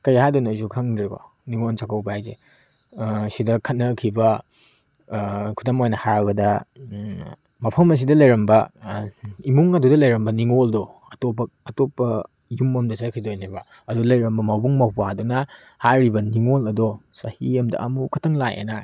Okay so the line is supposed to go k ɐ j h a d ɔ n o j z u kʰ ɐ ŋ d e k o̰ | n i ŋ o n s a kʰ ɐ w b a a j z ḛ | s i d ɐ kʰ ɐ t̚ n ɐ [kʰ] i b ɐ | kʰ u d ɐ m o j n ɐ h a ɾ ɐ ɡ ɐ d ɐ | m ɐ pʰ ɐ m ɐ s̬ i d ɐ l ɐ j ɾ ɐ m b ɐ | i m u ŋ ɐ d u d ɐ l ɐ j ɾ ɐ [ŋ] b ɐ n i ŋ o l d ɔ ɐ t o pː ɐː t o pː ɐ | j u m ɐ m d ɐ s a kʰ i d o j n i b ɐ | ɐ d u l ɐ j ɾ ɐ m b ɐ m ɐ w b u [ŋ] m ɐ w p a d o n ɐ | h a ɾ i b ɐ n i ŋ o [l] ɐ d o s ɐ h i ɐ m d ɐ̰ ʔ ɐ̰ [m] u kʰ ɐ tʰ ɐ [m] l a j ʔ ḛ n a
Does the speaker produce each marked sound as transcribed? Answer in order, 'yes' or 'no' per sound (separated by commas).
yes, no, yes, yes, yes, no